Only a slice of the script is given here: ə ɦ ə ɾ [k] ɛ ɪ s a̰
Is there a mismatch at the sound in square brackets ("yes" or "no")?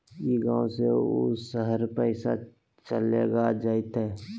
yes